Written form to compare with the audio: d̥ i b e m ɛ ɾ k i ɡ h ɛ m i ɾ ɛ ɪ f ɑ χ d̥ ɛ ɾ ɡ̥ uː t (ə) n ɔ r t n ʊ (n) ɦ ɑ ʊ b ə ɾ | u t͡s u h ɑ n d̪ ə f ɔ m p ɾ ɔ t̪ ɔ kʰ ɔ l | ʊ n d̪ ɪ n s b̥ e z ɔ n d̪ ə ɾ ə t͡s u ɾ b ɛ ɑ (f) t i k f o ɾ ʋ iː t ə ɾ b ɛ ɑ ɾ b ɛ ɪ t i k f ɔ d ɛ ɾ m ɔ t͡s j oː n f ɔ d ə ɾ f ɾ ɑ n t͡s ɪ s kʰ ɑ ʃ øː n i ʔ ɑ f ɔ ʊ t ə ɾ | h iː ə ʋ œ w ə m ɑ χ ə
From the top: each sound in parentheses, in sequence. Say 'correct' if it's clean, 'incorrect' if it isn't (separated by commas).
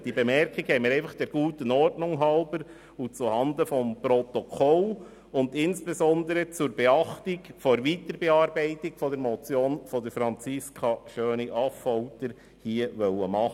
correct, incorrect, incorrect